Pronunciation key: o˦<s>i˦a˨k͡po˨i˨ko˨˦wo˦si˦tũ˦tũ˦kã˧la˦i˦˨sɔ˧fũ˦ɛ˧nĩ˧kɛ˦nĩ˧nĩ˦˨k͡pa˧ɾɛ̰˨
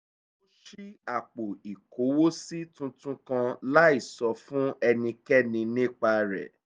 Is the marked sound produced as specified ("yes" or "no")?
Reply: no